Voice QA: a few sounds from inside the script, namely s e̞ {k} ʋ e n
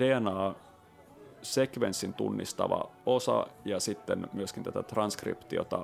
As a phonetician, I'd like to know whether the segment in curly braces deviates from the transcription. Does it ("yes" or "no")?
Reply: no